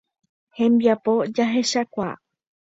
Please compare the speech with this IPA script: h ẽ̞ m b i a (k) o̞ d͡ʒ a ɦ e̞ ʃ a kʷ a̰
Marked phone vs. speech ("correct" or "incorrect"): incorrect